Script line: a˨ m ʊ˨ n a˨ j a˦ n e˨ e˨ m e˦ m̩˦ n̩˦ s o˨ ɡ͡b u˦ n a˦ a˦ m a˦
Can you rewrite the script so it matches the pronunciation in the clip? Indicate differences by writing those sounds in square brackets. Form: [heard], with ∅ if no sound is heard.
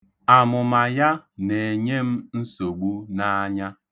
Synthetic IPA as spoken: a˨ m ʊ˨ [m] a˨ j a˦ n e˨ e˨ [ɲ] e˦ m̩˦ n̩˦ s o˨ ɡ͡b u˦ n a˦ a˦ [ɲ] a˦